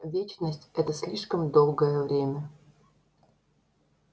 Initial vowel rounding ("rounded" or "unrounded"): unrounded